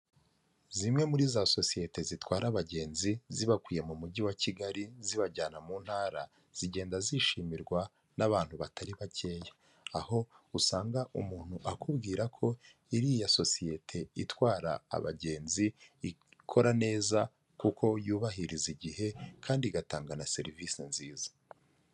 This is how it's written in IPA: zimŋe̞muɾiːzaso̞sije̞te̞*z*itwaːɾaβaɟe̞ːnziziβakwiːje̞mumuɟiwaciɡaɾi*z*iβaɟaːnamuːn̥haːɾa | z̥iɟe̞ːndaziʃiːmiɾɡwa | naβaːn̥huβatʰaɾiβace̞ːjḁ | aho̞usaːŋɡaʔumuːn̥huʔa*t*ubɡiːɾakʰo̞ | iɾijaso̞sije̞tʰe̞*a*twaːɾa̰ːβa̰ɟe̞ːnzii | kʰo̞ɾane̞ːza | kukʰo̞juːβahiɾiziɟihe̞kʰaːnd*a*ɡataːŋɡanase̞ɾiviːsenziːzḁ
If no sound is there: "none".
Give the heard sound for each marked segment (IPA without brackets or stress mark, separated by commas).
z, z, k, i, i